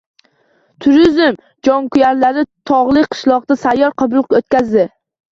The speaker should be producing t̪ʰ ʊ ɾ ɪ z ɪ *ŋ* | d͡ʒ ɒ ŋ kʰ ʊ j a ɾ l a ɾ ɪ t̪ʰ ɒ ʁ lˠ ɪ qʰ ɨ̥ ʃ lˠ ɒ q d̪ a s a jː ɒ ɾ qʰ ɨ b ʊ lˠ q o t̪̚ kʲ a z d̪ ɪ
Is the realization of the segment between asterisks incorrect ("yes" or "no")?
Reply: yes